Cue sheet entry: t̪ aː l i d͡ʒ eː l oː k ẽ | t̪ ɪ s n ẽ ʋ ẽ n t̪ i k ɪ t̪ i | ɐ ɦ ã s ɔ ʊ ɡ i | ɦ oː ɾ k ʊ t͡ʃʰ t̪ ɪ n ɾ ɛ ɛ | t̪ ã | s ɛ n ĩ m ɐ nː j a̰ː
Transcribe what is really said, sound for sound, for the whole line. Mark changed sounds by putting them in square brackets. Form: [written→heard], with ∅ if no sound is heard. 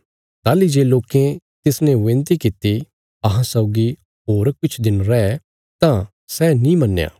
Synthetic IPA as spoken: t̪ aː l i d͡ʒ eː l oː k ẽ | t̪ ɪ s n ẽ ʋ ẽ n t̪ i k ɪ t̪ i | ɐ ɦ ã s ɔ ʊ ɡ i | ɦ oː ɾ k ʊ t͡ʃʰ [t̪→d̪] ɪ n ɾ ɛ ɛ | t̪ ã | s ɛ n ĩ m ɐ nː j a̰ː